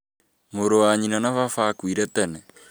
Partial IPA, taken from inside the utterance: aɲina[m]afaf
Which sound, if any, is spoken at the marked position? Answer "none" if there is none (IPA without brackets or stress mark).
n